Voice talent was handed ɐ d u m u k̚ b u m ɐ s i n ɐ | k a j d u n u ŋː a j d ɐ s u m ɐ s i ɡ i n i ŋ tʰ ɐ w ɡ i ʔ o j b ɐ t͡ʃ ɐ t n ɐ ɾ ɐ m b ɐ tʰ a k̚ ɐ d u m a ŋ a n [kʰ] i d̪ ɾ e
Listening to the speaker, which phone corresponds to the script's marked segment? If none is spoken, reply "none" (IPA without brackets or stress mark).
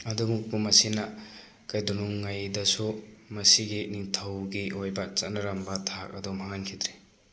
kʰ